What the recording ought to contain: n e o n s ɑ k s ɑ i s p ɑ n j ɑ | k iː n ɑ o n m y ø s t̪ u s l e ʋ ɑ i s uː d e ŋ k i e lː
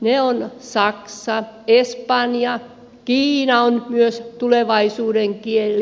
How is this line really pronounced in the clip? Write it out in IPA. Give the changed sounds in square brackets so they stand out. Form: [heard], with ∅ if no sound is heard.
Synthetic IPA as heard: n e o n s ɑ k s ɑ [e] s p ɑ n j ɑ | k iː n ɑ o n m y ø s t̪ u [∅] l e ʋ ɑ i s uː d e ŋ k i e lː